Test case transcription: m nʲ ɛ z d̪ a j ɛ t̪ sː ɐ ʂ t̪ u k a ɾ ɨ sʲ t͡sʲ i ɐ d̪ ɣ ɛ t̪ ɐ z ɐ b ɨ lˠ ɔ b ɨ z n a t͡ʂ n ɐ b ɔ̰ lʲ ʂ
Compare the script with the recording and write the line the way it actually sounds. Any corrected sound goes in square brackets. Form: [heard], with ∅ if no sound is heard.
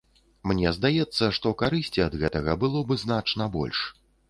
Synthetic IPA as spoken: m nʲ ɛ z d̪ a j ɛ t̪ sː ɐ ʂ t̪ [ɔ] k a ɾ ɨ sʲ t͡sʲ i ɐ d̪ ɣ ɛ t̪ ɐ [ɣ] ɐ b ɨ lˠ ɔ b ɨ z n a t͡ʂ n ɐ b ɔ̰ lʲ ʂ